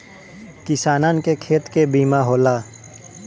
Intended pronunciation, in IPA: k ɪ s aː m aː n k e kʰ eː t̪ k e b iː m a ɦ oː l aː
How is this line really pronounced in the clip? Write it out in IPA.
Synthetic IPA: k ɪ s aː n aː n k e kʰ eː t̪ k e b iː m a ɦ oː l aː